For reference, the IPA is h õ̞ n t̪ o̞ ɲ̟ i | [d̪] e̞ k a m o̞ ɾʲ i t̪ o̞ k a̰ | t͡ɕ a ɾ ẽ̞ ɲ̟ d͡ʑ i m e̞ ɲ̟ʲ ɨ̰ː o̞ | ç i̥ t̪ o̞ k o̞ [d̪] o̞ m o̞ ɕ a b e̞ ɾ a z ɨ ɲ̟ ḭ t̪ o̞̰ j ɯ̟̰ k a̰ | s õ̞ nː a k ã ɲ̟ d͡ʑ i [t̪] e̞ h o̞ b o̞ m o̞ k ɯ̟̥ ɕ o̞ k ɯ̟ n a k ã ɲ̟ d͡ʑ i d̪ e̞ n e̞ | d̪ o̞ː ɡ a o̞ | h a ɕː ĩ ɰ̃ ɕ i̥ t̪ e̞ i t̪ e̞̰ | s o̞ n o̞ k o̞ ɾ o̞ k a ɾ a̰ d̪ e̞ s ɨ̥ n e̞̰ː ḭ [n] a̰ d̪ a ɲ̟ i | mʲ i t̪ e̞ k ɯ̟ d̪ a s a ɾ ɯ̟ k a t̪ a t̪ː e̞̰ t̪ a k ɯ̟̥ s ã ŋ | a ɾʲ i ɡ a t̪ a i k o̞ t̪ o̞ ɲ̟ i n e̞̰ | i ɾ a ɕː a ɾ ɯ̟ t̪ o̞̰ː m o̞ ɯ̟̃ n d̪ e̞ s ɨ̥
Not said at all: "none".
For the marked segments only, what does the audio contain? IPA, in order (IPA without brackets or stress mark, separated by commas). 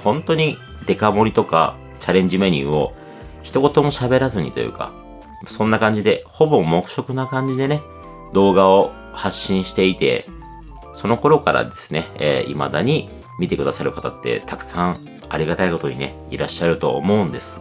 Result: d̪, t̪, d̪, m